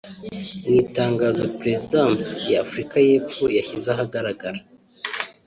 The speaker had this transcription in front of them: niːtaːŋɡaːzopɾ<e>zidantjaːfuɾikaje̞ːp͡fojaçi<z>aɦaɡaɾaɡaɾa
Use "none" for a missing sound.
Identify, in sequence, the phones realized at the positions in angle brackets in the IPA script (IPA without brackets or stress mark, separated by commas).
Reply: e, z